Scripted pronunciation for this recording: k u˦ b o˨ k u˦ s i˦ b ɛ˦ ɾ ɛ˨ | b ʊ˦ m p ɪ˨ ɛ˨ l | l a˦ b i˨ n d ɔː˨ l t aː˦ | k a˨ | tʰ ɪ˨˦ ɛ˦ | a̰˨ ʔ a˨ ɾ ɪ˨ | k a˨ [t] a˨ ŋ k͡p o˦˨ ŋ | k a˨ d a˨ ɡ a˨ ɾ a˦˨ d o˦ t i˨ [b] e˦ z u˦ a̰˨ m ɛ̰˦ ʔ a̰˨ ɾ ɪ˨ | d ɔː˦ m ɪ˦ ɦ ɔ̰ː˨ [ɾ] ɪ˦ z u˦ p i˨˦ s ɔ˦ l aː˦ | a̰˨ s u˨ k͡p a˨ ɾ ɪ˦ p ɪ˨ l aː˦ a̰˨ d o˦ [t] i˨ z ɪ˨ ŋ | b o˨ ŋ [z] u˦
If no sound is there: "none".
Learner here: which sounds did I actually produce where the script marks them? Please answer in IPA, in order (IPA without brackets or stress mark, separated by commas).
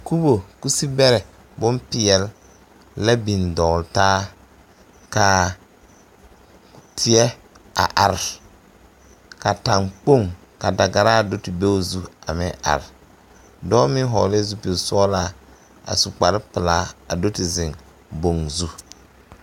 t, b, l, t, z